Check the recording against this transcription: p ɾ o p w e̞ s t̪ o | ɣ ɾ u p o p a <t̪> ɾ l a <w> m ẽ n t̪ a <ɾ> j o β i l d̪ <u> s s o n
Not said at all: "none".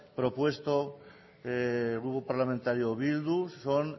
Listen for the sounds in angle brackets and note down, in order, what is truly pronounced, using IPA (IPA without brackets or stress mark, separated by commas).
none, none, ɾ, u